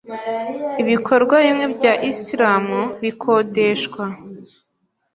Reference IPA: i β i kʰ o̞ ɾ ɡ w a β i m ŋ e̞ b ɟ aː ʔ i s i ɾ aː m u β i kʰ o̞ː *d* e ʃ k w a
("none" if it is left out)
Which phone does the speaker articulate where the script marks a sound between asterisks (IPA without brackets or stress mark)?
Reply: d